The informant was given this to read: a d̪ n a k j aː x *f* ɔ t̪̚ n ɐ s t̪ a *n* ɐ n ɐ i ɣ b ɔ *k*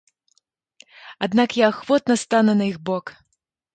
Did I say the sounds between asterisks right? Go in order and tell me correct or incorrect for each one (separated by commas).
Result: incorrect, correct, correct